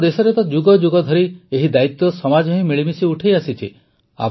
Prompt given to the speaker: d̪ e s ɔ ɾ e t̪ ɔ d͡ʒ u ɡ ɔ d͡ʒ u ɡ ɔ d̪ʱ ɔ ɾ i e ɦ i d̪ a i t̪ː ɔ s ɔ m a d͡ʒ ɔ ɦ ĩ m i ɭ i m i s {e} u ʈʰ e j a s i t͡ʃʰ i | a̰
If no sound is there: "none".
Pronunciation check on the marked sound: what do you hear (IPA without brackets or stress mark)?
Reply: i